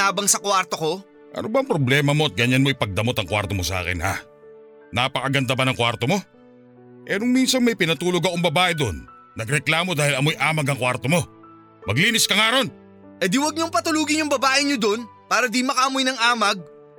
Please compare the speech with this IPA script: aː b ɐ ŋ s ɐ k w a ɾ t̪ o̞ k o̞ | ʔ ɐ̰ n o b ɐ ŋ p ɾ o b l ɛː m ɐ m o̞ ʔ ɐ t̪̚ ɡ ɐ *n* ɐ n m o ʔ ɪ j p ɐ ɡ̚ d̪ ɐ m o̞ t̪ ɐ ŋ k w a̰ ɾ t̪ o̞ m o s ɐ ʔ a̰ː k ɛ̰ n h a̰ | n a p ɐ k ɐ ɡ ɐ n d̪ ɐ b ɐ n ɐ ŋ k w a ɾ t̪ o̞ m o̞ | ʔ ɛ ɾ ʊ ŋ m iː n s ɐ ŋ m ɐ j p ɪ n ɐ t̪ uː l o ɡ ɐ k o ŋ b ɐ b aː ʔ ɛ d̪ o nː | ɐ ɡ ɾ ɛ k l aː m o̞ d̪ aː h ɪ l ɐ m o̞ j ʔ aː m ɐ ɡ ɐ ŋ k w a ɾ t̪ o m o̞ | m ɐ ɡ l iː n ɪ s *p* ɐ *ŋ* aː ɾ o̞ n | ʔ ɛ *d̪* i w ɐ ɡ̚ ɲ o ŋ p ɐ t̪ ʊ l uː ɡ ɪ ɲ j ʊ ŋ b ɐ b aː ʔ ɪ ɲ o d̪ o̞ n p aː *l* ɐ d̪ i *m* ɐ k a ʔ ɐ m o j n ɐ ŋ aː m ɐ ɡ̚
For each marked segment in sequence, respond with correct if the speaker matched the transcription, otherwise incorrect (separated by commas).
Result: incorrect, incorrect, correct, correct, incorrect, correct